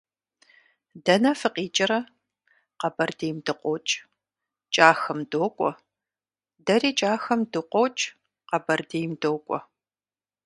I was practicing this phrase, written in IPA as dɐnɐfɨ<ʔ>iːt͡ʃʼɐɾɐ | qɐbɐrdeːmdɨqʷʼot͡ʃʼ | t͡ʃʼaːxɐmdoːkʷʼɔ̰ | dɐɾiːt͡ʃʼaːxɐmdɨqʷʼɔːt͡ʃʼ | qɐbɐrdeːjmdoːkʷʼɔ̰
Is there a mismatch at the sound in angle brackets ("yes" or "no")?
yes